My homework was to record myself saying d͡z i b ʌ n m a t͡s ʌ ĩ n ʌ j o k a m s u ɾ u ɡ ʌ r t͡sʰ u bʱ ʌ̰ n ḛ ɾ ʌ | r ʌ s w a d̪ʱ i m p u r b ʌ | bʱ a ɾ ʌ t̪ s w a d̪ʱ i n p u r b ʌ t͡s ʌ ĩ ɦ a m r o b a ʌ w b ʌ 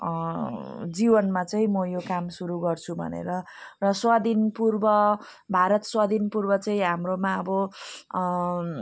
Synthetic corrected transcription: d͡z i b ʌ n m a t͡s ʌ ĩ m ʌ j o k a m s u ɾ u ɡ ʌ r t͡sʰ u bʱ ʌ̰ n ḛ ɾ ʌ | r ʌ s w a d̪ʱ i n p u r b ʌ | bʱ a ɾ ʌ t̪ s w a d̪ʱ i n p u r b ʌ t͡s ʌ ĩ ɦ a m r o m a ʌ b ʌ